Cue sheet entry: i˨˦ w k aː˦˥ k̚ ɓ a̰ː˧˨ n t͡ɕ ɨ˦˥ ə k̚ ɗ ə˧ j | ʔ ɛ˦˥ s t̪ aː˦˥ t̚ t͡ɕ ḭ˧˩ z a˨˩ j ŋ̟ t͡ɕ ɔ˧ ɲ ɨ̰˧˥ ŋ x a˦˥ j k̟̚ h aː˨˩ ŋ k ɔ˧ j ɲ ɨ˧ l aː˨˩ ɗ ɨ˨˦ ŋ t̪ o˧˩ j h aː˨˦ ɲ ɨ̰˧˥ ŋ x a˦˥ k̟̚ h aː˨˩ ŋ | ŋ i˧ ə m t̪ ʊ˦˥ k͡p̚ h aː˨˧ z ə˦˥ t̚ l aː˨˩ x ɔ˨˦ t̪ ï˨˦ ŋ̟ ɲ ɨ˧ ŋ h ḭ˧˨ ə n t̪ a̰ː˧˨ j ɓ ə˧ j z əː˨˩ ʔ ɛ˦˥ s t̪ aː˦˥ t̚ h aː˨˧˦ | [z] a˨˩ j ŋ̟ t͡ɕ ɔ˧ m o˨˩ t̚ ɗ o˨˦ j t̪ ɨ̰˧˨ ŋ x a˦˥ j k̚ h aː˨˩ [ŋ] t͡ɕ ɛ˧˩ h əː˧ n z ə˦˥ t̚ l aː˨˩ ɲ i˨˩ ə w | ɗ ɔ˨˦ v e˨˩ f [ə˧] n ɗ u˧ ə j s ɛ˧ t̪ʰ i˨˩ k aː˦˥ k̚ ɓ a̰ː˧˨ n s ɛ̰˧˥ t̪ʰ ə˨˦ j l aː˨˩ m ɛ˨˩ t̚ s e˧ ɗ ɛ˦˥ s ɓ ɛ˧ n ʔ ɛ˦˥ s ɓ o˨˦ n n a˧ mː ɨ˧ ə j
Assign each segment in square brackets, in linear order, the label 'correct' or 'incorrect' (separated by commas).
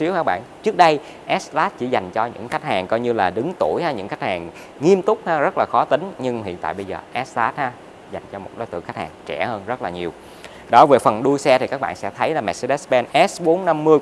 correct, correct, incorrect